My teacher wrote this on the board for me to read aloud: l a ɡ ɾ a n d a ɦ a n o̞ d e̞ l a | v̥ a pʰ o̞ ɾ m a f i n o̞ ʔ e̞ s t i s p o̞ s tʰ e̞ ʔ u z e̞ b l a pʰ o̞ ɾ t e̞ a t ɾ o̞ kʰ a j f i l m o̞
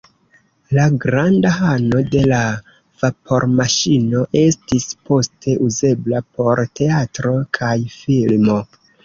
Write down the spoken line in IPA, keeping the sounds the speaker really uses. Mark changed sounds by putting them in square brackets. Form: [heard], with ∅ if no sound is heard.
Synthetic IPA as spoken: l a ɡ ɾ a n d a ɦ a n o̞ d e̞ l a | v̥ a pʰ o̞ ɾ m a [ʃ] i n o̞ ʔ e̞ s t i s p o̞ s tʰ e̞ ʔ u z e̞ b l a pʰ o̞ ɾ t e̞ a t ɾ o̞ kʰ a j f i l m o̞